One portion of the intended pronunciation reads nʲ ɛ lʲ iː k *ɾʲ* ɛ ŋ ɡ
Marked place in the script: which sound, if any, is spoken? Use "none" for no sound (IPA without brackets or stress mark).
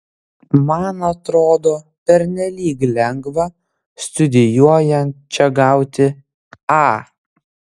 lʲ